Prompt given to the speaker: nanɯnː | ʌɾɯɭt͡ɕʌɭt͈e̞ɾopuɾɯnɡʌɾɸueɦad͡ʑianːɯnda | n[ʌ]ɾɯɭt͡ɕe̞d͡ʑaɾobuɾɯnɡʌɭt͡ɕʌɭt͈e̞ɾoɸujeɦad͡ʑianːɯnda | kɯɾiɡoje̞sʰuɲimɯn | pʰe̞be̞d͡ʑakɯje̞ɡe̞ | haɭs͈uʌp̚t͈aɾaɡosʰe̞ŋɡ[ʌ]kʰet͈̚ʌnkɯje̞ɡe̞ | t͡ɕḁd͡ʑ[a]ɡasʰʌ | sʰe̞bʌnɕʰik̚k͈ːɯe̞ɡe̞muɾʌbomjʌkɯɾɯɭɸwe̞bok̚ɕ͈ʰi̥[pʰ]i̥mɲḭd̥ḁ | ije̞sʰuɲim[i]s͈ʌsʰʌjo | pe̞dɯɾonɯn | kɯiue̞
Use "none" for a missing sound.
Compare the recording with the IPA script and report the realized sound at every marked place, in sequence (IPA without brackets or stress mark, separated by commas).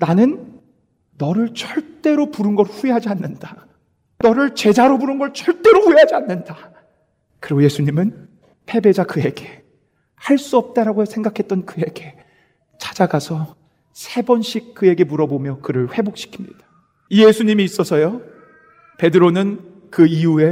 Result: ʌ, a, a, kʰ, iː